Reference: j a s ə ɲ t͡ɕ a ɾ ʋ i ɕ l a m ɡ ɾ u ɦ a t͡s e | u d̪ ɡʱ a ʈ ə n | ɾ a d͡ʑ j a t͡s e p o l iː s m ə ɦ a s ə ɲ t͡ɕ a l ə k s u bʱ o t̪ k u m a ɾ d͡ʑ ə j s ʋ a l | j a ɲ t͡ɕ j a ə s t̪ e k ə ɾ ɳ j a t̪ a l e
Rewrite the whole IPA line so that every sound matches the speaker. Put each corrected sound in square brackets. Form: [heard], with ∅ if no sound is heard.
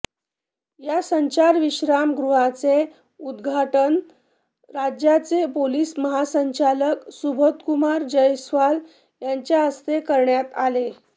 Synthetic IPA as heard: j a s ə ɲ t͡ɕ a ɾ ʋ i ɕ [ɾ] a m ɡ ɾ u ɦ a t͡s e | u d̪ ɡʱ a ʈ ə n | ɾ a d͡ʑ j a t͡s e p o l iː s m ə ɦ a s ə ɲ t͡ɕ a l ə k s u bʱ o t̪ k u m a ɾ d͡ʑ ə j s ʋ a l | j a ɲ t͡ɕ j a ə s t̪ e k ə ɾ ɳ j a t̪ a l e